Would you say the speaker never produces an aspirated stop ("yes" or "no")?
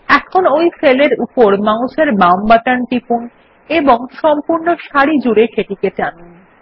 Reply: no